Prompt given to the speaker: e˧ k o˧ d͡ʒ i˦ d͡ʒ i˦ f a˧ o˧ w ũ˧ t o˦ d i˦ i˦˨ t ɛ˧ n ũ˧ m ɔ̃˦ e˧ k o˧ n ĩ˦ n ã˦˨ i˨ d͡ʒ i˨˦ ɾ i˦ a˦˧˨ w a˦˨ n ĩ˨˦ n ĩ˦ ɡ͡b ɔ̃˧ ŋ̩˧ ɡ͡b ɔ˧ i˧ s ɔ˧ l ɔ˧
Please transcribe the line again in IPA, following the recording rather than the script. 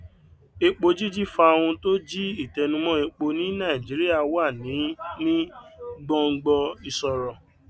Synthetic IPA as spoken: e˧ k͡p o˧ d͡ʒ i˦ d͡ʒ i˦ f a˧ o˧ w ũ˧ t o˦ d͡ʒ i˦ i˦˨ t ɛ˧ n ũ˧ m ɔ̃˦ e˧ k͡p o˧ n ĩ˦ n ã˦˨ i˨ d͡ʒ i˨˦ ɾ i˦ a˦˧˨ w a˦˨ n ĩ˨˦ n ĩ˦ ɡ͡b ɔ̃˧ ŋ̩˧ ɡ͡b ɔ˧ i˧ s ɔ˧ ɾ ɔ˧

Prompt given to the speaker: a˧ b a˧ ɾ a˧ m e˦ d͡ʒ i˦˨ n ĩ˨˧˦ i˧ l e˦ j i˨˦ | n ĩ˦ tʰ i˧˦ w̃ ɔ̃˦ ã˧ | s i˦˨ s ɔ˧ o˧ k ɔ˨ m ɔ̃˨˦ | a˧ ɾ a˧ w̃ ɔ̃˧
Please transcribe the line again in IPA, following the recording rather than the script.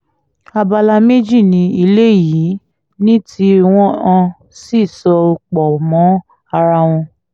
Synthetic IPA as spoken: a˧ b a˧ l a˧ m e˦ d͡ʒ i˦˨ n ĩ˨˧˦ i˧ l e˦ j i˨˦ | n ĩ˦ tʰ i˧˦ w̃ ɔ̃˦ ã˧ | s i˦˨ s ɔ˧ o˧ k͡p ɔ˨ m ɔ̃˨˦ | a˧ ɾ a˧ w̃ ɔ̃˧

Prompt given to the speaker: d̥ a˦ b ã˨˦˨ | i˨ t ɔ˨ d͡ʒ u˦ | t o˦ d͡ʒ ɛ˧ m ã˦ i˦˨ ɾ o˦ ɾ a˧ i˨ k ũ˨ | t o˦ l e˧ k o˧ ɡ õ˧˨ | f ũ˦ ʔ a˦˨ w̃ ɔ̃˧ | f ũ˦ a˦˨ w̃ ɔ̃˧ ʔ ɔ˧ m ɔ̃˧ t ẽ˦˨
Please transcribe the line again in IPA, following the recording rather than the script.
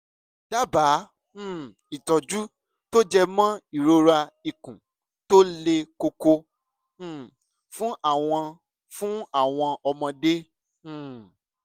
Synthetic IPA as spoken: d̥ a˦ b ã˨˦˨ | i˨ t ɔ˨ d͡ʒ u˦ | t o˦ d͡ʒ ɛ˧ m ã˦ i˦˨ ɾ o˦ ɾ a˧ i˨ k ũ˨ | t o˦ l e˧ k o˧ k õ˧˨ | f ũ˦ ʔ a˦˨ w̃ ɔ̃˧ | f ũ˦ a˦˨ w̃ ɔ̃˧ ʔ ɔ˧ m ɔ̃˧ d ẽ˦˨

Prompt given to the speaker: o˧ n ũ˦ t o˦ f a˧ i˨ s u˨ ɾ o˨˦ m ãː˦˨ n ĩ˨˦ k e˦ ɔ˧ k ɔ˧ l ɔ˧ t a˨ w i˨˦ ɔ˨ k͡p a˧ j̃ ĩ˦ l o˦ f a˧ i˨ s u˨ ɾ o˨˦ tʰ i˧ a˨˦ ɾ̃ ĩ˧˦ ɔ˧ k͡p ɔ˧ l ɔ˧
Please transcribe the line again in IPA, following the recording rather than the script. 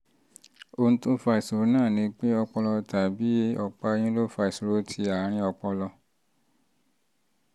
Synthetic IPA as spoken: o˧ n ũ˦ t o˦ f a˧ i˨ s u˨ ɾ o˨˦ n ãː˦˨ n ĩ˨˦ k͡p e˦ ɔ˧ k͡p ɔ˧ l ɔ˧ t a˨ b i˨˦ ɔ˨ k͡p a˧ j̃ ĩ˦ l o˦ f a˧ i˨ s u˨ ɾ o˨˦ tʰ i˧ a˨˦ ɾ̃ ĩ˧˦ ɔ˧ k͡p ɔ˧ l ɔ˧

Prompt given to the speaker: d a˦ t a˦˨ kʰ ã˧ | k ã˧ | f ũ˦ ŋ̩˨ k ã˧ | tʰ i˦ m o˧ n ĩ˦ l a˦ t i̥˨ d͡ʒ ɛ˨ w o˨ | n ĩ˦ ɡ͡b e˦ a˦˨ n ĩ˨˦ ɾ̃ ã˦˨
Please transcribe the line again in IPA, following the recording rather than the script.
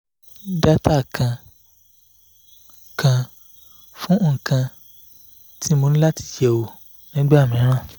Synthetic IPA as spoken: d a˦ t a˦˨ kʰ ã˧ | k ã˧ | f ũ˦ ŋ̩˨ k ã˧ | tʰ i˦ m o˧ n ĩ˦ l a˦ t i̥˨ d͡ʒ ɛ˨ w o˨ | n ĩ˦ ɡ͡b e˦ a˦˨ m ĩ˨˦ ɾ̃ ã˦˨

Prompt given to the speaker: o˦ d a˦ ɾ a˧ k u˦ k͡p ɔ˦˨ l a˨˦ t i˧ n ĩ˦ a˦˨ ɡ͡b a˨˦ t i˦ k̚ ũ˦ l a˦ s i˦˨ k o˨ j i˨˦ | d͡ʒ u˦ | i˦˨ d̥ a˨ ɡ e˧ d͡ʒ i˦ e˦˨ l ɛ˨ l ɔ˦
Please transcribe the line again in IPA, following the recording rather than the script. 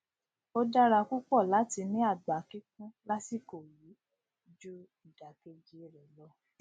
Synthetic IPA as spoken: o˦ d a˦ ɾ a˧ k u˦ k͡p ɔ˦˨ l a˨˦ t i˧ n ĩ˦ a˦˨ ɡ͡b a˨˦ k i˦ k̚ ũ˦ l a˦ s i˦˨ k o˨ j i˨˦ | d͡ʒ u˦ | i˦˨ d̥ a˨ k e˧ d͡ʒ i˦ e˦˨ ɾ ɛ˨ l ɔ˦

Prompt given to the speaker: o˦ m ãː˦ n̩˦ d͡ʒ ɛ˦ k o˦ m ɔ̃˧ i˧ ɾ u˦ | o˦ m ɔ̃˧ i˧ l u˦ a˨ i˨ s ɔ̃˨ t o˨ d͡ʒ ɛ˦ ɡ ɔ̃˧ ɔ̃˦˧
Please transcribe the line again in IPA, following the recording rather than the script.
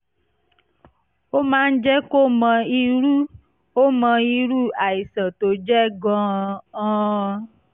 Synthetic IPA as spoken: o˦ m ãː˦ n̩˦ d͡ʒ ɛ˦ k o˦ m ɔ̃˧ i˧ ɾ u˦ | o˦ m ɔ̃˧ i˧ ɾ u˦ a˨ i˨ s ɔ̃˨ t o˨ d͡ʒ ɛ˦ ɡ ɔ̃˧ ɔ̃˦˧

